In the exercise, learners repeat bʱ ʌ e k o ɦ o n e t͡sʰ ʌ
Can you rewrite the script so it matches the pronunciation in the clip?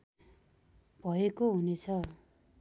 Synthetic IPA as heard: bʱ ʌ e k o ɦ u n e t͡sʰ ʌ